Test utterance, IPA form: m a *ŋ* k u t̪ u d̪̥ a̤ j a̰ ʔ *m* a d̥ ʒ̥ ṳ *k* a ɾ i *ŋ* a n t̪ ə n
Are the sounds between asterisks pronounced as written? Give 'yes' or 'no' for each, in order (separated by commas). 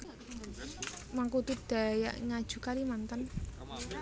yes, no, yes, no